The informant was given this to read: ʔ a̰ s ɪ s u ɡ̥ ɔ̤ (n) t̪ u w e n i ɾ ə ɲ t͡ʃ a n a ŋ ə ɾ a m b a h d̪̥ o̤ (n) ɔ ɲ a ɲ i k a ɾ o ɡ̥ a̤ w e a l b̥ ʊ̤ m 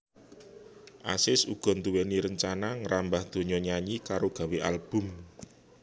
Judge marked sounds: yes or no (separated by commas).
yes, no